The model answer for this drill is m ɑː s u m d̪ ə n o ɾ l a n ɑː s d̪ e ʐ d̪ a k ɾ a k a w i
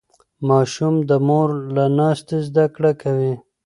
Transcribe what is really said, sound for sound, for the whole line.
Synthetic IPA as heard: m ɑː ʃ u m d̪ ə m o ɾ l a n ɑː s t̪ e z d̪ a k ɽ a k a w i